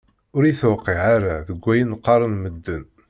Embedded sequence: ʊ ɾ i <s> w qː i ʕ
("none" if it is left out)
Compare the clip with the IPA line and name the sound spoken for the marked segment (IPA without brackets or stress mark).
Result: θ